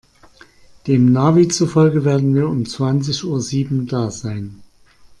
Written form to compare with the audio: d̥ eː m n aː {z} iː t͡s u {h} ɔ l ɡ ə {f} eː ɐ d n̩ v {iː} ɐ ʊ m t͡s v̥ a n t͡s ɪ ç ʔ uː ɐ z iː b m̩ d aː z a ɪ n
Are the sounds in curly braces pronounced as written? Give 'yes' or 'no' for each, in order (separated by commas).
no, no, no, yes